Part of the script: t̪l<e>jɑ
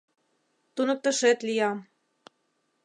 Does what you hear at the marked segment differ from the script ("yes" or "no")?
yes